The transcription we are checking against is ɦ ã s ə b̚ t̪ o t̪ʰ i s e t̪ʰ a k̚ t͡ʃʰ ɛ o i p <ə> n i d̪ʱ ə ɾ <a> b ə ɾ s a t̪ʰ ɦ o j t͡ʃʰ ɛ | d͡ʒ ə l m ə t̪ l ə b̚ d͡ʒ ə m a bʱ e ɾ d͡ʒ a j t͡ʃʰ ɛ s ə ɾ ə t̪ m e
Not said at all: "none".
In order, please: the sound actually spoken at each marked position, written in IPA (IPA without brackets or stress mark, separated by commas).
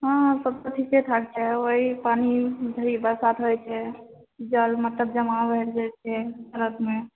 a, i